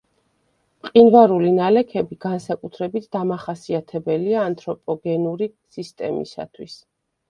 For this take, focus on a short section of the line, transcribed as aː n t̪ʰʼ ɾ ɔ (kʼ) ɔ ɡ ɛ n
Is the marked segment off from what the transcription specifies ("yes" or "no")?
yes